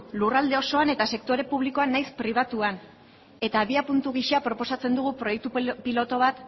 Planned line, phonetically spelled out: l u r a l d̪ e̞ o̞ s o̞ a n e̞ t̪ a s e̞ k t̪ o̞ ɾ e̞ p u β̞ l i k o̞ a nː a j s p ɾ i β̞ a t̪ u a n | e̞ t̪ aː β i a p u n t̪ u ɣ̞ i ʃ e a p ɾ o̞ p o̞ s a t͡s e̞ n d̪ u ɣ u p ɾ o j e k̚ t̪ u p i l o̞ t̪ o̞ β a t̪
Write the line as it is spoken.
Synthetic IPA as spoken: l u r a l d̪ e̞ o̞ s o̞ a n e̞ t̪ a s e̞ k t̪ o̞ ɾ e̞ p u β̞ l i k o̞ a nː a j s p ɾ i β̞ a t̪ u a n | e̞ t̪ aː β i a p u n t̪ u ɣ̞ i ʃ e a p ɾ o̞ p o̞ s a t͡s e̞ n d̪ u ɣ u p ɾ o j e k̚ t̪ u p i l o̞ t̪ o̞ β a t̪